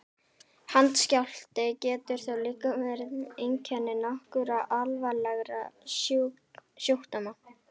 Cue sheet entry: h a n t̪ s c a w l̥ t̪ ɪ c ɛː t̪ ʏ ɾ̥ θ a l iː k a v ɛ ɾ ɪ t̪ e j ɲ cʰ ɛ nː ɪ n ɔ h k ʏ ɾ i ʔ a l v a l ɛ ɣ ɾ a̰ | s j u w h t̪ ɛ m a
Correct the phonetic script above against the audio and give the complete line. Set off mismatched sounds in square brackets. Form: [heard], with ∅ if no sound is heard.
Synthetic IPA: h a n t̪ s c a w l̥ t̪ ɪ c ɛː t̪ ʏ ɾ̥ θ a l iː k a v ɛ ɾ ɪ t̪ e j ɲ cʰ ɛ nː ɪ n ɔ h k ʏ ɾ [a] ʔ a l v a l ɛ ɣ ɾ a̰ | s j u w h t̪ [a] m a